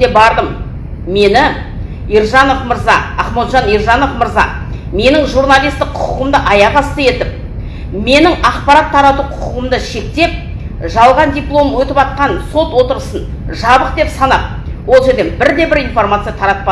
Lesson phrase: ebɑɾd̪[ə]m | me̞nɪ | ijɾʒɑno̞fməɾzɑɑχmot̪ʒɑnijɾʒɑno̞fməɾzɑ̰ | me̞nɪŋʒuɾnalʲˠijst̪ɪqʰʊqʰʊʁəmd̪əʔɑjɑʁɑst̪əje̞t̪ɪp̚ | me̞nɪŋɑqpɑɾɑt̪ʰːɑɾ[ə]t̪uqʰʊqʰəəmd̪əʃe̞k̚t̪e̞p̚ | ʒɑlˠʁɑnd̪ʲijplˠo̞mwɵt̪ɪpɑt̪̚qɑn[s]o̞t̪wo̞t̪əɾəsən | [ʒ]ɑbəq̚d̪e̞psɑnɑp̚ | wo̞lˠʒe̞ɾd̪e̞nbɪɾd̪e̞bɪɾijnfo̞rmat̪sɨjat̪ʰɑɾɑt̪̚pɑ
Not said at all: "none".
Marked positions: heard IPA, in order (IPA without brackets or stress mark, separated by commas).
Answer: ə, ɑ, s, ʒ